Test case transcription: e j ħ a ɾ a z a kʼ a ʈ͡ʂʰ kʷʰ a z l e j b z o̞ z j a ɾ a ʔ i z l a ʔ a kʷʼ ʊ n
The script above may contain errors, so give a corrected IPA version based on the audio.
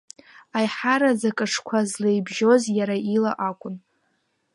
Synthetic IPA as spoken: a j ħ a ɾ a z a kʼ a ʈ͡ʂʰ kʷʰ a z l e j b ʒ o̞ z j a ɾ a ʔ i l a ʔ a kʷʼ ʊ n

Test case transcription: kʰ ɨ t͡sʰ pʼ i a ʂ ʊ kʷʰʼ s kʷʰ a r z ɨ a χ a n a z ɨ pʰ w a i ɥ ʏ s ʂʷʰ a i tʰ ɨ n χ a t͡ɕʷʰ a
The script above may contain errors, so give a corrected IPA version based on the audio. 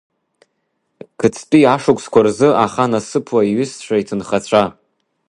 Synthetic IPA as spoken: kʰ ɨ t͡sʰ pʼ i a ʂ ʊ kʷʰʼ s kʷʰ a r z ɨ a χ a n a s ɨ pʰ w a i ɥ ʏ s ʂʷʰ a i tʰ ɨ n χ a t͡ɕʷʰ a

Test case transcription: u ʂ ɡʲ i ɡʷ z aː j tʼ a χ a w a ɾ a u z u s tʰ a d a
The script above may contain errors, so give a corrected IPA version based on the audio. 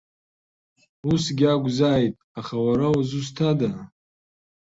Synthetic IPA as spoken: u s ɡʲ a ɡʷ z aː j tʼ a χ a w a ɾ a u z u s tʰ a d a

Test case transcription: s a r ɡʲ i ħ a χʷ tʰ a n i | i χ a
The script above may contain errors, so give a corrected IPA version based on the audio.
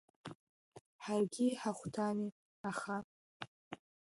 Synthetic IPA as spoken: ħ a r ɡʲ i ħ a χʷ tʰ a n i | a χ a

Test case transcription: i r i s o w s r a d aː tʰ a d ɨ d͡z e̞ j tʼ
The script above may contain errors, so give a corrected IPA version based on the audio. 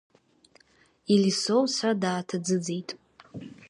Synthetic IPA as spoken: i l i s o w s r a d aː tʰ a d͡z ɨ d͡z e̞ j tʼ

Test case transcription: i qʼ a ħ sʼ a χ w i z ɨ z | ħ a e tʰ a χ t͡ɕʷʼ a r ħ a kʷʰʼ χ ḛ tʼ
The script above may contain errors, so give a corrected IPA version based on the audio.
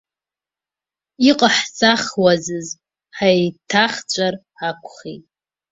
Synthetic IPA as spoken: i qʼ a ħ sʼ a χ w a z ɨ z | ħ a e tʰ a χ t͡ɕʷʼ a r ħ a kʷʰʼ χ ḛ tʼ

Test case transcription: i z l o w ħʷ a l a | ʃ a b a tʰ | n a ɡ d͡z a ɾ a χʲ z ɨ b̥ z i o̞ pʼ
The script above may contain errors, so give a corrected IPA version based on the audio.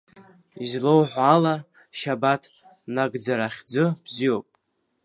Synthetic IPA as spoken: i z l o w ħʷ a l a | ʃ a b a tʰ | n a ɡ d͡z a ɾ a χʲ d͡z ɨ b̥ z i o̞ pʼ

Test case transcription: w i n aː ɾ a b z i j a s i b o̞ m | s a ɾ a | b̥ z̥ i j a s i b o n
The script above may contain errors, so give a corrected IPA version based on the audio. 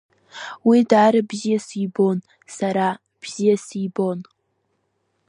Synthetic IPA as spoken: w i d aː ɾ a b z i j a s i b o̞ n | s a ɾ a | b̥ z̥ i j a s i b o n

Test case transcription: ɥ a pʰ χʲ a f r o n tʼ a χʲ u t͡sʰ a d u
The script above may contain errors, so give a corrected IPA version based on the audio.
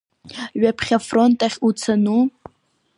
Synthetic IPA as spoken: ɥ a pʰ χʲ a f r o n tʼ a χʲ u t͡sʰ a n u

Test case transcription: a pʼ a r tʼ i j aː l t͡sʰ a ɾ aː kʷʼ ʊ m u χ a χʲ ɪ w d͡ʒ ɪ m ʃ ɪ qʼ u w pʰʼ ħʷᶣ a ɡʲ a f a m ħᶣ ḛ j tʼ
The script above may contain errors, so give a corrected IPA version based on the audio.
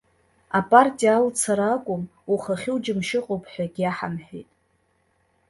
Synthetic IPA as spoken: a pʼ a r tʼ i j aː l t͡sʰ a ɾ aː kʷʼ ʊ m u χ a χʲ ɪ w d͡ʒ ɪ m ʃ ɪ qʼ o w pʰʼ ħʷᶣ a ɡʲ a ħ a m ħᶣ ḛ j tʼ

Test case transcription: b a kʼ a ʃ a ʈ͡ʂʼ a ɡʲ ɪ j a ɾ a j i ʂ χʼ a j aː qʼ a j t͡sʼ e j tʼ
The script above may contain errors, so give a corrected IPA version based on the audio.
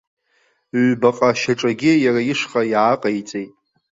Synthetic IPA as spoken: b a qʼ a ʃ a ʈ͡ʂʼ a ɡʲ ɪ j a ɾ a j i ʂ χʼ a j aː qʼ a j t͡sʼ e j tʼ

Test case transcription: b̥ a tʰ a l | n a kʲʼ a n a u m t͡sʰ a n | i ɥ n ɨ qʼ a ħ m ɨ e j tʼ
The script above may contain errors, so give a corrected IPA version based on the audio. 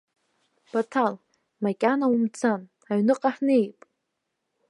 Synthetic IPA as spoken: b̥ a tʰ a l | m a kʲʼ a n a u m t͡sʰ a n | a ɥ n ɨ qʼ a ħ n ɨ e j pʼ

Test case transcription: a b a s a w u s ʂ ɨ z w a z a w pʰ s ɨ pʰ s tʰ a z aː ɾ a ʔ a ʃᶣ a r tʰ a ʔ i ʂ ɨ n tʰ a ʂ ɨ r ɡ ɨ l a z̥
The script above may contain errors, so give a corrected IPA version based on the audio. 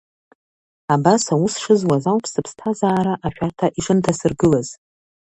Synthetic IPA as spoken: a b a s a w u s ʂ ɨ z w a z a w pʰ s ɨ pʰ s tʰ a z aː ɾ a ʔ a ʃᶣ a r tʰ a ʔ i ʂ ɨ n tʰ a s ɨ r ɡ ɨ l a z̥

